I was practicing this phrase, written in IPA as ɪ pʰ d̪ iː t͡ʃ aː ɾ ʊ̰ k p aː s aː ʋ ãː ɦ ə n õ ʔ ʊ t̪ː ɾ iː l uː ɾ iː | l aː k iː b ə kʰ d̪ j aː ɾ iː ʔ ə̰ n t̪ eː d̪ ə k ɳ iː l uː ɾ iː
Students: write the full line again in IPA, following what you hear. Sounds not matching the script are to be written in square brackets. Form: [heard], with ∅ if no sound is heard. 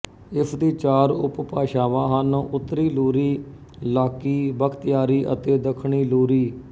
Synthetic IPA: ɪ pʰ d̪ iː t͡ʃ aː ɾ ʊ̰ [p] p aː [ʃ] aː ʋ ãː ɦ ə n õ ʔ ʊ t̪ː ɾ iː l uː ɾ iː | l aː k iː b ə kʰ [t̪] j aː ɾ iː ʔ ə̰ [∅] t̪ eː d̪ ə [kʰ] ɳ iː l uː ɾ iː